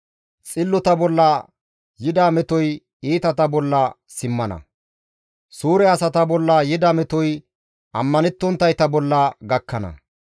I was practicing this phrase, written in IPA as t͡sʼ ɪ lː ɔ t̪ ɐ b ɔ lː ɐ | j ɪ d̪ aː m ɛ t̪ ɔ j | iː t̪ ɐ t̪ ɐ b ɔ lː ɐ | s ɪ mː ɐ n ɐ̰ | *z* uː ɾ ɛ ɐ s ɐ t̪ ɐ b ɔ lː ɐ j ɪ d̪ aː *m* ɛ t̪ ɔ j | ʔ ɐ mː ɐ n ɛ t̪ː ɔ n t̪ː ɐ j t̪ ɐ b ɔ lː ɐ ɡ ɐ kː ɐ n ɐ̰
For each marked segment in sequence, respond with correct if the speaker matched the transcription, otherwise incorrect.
incorrect, correct

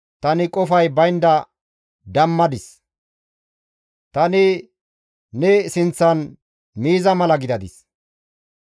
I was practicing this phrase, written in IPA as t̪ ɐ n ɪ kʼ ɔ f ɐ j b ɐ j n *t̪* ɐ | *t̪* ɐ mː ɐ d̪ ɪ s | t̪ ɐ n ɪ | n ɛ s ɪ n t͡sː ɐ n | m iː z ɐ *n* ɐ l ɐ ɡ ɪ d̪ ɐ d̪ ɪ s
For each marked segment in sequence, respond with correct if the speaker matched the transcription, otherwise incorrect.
incorrect, incorrect, incorrect

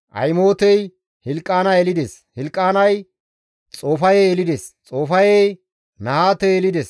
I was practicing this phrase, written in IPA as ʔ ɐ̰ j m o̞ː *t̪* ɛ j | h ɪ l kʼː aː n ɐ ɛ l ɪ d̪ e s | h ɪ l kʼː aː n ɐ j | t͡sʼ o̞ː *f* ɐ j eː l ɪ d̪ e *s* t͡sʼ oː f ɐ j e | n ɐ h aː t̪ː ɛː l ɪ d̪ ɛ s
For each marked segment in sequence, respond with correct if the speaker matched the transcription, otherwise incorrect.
correct, correct, correct

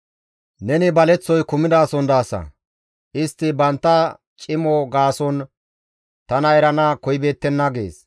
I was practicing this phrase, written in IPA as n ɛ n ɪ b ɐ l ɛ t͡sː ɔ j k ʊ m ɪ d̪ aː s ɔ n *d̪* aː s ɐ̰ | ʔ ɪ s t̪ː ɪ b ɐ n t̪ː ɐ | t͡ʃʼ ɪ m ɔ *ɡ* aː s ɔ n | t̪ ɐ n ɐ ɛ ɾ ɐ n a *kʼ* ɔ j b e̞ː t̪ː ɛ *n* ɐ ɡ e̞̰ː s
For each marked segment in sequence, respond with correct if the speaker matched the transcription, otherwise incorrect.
correct, correct, incorrect, incorrect

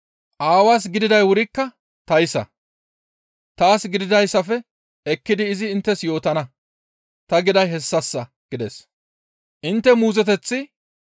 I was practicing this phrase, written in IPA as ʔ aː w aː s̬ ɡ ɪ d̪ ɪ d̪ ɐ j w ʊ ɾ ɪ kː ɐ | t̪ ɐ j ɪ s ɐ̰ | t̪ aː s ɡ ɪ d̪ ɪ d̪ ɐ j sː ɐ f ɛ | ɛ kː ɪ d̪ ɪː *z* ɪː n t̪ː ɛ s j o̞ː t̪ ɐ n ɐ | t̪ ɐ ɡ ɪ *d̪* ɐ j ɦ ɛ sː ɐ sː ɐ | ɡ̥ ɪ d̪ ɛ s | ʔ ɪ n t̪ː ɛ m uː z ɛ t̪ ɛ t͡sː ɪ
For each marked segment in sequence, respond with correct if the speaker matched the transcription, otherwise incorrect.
correct, correct

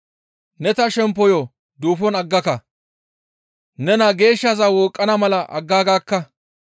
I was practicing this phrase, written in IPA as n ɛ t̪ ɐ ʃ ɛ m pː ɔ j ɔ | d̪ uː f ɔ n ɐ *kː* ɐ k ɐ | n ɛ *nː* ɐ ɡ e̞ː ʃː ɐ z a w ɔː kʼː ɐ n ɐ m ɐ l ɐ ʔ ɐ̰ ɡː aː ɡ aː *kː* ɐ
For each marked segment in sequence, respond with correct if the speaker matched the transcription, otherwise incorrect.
incorrect, incorrect, correct

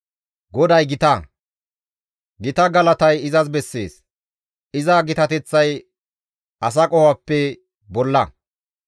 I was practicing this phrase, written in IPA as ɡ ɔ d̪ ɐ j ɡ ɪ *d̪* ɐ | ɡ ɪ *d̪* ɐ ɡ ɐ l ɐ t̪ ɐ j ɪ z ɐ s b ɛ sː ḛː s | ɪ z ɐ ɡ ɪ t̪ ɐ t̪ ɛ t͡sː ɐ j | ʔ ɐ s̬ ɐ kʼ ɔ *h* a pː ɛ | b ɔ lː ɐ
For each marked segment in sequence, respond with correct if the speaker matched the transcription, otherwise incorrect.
incorrect, incorrect, correct

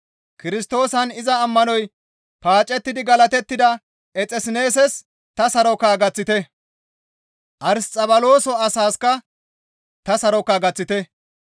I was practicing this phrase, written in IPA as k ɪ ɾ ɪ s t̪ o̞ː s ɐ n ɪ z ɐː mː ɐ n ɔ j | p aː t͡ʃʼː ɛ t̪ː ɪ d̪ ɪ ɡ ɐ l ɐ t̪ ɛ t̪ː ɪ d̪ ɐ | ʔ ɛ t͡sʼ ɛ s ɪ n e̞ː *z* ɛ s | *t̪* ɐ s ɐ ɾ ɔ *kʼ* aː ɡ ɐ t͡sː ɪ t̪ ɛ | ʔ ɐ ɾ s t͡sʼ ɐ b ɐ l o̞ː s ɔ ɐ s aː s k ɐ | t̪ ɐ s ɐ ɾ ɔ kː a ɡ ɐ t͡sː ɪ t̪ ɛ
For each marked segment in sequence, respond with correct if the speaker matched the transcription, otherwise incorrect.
incorrect, correct, incorrect

